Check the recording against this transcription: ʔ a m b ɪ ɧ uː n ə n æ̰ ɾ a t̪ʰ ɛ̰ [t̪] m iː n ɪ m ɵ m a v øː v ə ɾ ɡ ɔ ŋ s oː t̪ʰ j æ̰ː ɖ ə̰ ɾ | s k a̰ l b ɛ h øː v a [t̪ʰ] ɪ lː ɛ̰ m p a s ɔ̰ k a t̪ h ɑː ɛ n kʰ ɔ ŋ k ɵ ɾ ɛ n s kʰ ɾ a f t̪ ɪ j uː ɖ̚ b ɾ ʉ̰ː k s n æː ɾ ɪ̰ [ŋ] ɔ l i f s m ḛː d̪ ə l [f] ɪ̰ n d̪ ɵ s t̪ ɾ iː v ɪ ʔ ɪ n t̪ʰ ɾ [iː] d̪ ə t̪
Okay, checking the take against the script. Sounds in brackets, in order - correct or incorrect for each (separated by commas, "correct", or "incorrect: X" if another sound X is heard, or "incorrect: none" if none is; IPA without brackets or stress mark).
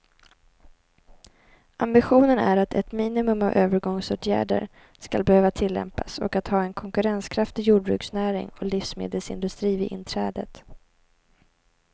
correct, correct, correct, incorrect: s, incorrect: ɛː